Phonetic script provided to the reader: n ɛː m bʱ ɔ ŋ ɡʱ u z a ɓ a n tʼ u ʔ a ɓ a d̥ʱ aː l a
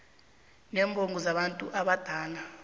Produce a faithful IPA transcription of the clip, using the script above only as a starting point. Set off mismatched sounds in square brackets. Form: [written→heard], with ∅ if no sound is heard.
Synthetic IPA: n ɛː m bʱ [ɔ→o] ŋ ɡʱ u z a ɓ a n tʼ u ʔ a ɓ a d̥ʱ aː l a